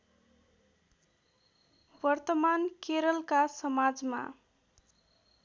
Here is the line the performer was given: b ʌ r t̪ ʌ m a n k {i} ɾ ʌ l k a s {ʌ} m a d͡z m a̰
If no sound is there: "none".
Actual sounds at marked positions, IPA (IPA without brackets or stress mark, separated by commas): e, ʌ